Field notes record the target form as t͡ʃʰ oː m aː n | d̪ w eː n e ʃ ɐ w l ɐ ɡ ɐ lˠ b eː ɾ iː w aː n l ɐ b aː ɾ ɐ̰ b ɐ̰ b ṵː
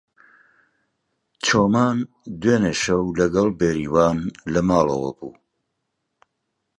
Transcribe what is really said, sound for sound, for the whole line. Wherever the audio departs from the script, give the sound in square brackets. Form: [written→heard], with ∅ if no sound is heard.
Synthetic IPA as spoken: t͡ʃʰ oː m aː n | d̪ w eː n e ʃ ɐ w l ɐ ɡ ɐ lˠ b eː ɾ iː w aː n l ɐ [b→m] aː [ɾ→l] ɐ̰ [b→w] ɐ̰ b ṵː

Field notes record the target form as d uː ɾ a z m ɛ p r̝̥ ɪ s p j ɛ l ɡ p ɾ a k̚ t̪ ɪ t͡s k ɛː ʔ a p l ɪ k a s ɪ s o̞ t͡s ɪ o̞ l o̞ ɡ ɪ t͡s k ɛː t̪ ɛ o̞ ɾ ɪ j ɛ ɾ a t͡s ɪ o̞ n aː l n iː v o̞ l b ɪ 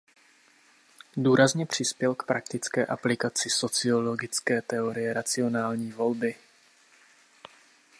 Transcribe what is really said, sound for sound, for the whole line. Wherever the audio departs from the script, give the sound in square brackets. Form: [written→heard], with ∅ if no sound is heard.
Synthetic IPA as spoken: d uː ɾ a z [m→ɲ] ɛ p r̝̥ ɪ s p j ɛ l [ɡ→k] p ɾ a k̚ t̪ ɪ t͡s k ɛː ʔ a p l ɪ k a [s→t͡s] ɪ s o̞ t͡s ɪ o̞ l o̞ ɡ ɪ t͡s k ɛː t̪ ɛ o̞ ɾ ɪ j ɛ ɾ a t͡s ɪ o̞ n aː l [n→ɲ] iː v o̞ l b ɪ

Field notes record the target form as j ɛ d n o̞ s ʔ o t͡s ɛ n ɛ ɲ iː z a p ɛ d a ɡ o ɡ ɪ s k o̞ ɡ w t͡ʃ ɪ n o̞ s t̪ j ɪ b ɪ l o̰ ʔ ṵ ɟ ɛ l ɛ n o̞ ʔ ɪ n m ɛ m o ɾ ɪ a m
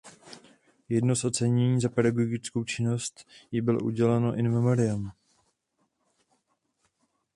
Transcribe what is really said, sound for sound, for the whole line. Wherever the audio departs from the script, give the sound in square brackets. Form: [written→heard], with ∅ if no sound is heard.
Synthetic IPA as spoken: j ɛ d n o̞ s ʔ o t͡s ɛ [n→ɲ] ɛ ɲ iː z a p ɛ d a ɡ o ɡ ɪ [s→t͡s] k o̞ [ɡ→∅] w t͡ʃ ɪ n o̞ s t̪ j ɪ b ɪ l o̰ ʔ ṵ ɟ ɛ l ɛ n o̞ ʔ ɪ n m ɛ m o ɾ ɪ a m

